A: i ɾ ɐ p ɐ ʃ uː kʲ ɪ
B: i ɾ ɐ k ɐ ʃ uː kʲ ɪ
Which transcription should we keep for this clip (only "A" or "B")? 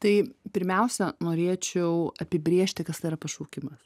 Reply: A